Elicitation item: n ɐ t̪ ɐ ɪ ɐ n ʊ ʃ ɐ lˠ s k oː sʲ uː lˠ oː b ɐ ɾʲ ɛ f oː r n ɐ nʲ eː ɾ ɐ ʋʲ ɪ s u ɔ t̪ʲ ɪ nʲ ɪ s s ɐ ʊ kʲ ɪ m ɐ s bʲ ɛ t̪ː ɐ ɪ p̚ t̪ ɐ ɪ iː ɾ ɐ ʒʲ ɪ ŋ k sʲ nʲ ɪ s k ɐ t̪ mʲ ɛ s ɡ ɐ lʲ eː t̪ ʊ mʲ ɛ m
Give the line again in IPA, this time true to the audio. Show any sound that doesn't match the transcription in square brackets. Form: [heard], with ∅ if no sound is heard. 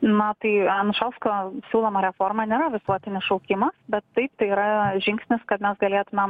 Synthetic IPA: n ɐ t̪ ɐ ɪ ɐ n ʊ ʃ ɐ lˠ s k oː sʲ uː lˠ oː [m] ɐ ɾʲ ɛ f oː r [m] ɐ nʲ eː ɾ ɐ ʋʲ ɪ s u ɔ t̪ʲ ɪ nʲ ɪ s [ʃ] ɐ ʊ kʲ ɪ m ɐ s bʲ ɛ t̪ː ɐ ɪ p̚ t̪ ɐ ɪ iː ɾ ɐ ʒʲ ɪ ŋ k sʲ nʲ ɪ s k ɐ t̪ mʲ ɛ s ɡ ɐ lʲ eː t̪ ʊ mʲ ɛ m